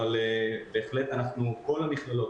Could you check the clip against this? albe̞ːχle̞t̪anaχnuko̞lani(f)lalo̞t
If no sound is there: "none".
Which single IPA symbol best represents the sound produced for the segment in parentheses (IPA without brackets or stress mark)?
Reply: χ